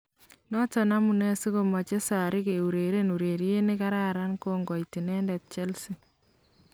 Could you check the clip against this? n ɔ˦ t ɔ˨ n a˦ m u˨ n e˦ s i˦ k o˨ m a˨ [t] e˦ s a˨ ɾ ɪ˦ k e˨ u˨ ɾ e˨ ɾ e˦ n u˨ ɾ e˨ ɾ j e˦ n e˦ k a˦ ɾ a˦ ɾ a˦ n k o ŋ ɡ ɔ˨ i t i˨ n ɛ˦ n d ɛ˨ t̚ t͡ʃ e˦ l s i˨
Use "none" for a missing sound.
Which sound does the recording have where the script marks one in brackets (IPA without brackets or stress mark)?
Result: t͡ʃ